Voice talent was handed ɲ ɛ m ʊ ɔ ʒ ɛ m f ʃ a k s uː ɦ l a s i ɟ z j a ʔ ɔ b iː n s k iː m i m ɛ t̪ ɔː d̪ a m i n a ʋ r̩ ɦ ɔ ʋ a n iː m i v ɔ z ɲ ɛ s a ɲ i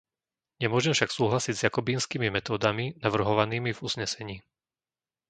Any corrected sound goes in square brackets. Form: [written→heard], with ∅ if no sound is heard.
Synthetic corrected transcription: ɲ ɛ m ʊ ɔ ʒ ɛ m f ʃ a k s uː ɦ l a s i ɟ z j a [ʔ→k] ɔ b iː n s k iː m i m ɛ t̪ ɔː d̪ a m i n a ʋ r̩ ɦ ɔ ʋ a n iː m i v [ɔ→u] z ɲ ɛ s [a→ɛ] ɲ [i→iː]